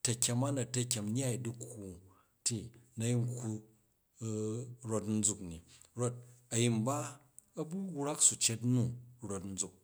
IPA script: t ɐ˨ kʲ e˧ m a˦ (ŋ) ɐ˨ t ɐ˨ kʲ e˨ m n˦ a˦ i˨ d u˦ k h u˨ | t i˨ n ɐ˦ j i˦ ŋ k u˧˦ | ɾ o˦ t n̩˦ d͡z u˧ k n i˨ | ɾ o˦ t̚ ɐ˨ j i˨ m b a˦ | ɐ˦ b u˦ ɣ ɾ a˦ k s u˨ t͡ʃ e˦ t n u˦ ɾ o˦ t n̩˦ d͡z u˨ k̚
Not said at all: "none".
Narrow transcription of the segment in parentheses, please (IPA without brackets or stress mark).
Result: n